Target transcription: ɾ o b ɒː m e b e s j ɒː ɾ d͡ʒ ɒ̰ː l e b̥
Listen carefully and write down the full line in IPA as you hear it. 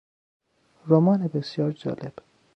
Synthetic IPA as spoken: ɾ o m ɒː n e b e s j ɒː ɾ d͡ʒ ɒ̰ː l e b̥